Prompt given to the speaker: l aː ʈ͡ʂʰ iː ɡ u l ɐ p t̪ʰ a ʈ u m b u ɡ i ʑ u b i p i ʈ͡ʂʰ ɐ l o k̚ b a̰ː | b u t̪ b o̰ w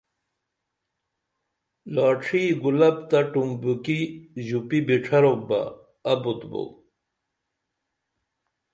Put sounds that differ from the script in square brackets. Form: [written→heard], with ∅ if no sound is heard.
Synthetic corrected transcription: l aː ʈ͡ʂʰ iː ɡ u l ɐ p [t̪ʰ→t̪] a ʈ u m b u [ɡ→k] i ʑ u [b→p] i [p→b] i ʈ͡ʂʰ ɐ [l→ɾ] o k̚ b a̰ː | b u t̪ b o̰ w